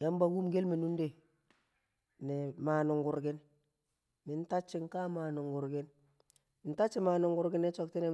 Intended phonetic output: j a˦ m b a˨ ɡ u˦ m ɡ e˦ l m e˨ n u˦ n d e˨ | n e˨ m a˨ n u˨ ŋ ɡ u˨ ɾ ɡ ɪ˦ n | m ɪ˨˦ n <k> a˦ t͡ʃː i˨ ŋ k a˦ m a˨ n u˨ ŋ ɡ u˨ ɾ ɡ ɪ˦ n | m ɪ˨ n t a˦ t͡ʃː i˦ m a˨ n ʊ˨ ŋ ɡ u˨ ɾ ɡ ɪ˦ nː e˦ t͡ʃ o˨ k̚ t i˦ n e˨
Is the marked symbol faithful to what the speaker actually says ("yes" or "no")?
no